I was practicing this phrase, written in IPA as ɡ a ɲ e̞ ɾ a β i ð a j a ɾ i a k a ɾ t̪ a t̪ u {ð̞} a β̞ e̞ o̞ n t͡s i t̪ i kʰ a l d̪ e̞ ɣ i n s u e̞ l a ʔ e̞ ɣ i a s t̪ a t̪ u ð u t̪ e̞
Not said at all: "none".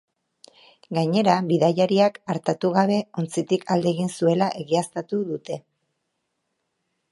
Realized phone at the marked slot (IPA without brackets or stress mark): ɣ̞